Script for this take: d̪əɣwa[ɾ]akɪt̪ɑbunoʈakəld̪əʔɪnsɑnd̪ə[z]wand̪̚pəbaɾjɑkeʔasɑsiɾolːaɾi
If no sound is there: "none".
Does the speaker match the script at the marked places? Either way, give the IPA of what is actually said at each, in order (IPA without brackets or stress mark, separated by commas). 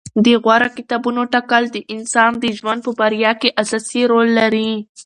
ɾ, ʒ